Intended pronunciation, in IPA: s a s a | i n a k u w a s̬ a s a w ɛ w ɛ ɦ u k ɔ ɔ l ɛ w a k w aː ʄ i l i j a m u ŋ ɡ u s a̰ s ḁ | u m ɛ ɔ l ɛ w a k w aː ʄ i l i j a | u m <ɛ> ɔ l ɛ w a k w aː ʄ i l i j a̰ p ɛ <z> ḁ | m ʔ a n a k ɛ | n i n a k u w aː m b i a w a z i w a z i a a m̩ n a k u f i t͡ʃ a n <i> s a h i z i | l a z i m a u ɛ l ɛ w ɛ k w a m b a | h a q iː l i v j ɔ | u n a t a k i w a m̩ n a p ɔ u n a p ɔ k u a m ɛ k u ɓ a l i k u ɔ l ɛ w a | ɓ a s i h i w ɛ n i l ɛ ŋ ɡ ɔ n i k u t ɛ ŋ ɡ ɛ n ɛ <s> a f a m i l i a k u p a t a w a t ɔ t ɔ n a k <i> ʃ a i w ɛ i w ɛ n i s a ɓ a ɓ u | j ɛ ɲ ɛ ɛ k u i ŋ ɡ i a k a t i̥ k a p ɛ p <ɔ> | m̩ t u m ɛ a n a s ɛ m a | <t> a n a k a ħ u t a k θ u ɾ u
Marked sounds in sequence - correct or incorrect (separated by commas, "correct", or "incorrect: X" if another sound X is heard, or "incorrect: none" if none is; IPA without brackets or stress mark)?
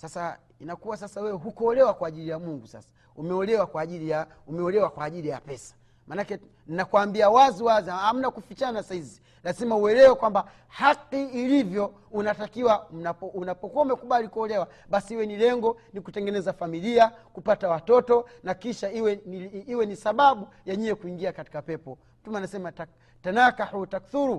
correct, incorrect: s, incorrect: a, incorrect: z, correct, correct, correct